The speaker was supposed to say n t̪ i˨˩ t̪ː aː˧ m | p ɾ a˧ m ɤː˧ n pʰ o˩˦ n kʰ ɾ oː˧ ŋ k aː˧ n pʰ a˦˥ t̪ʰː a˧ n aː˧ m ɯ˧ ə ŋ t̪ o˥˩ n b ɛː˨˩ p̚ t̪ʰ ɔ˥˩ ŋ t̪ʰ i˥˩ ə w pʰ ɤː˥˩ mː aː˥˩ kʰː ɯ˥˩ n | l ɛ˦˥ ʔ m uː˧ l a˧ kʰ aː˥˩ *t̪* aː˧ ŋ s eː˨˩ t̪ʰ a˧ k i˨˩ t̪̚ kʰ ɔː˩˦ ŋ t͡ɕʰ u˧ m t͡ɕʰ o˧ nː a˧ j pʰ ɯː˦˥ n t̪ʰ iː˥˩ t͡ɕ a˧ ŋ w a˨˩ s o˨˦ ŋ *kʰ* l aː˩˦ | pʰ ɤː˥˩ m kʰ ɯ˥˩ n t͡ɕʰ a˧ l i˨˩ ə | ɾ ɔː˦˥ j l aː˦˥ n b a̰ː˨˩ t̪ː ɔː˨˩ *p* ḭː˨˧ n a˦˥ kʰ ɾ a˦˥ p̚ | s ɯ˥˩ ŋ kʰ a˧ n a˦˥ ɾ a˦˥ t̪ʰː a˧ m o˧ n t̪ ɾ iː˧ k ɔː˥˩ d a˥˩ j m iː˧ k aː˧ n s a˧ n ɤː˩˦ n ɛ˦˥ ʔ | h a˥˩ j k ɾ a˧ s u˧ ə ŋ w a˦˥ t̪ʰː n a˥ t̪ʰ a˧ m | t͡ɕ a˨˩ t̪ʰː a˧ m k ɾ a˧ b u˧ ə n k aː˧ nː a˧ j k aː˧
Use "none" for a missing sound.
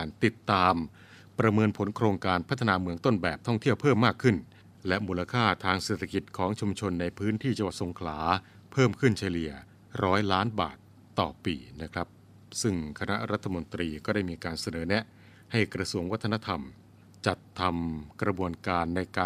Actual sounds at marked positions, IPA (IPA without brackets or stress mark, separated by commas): t̪ʰ, kʰ, p